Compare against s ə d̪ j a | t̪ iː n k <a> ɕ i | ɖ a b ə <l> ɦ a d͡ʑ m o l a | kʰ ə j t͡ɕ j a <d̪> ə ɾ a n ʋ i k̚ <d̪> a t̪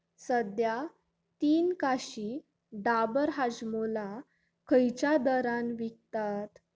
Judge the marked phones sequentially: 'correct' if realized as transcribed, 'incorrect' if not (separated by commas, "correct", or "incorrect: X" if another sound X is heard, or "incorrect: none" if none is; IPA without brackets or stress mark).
correct, incorrect: ɾ, correct, incorrect: t̪